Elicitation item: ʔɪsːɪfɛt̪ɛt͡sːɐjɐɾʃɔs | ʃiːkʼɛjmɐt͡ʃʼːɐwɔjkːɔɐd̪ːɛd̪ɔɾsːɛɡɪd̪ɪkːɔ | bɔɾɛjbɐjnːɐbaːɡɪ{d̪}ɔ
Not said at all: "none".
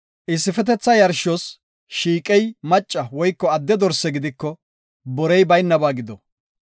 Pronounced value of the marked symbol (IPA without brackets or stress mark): d̪